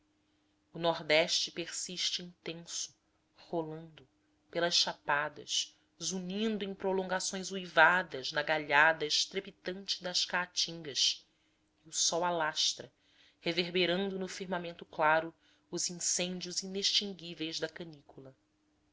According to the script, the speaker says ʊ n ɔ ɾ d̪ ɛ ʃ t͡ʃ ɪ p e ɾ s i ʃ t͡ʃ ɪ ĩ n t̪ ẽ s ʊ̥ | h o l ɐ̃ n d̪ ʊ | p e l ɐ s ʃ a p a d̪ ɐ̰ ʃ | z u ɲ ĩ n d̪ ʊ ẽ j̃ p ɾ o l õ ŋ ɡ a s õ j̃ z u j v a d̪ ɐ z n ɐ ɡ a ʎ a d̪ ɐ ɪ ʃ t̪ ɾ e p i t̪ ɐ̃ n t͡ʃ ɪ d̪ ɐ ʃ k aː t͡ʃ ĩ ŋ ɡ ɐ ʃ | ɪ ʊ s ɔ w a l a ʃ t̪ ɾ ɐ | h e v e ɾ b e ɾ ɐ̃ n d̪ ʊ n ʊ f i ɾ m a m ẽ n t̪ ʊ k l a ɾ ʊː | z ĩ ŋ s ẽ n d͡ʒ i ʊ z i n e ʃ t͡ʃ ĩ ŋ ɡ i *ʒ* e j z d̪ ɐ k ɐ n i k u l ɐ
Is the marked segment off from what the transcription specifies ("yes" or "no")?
yes